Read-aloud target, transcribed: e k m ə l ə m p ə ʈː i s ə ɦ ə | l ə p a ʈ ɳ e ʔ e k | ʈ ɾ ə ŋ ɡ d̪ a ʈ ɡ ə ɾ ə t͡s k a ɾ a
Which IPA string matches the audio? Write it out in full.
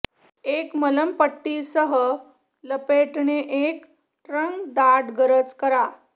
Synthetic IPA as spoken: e k m ə l ə m p ə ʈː i s ə ɦ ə | l ə p e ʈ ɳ e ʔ e k | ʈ ɾ ə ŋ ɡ d̪ a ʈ ɡ ə ɾ ə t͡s k ə ɾ a